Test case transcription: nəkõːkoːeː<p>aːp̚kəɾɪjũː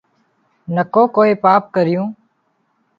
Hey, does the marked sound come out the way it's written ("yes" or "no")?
yes